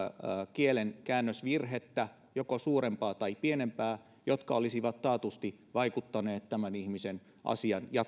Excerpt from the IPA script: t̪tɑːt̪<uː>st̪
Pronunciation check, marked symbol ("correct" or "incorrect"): incorrect